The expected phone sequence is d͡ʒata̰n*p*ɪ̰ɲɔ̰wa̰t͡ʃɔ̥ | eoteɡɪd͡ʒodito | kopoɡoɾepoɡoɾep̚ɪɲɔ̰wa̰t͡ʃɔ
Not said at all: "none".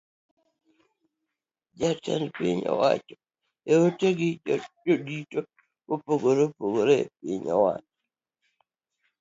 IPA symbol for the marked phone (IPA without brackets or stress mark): p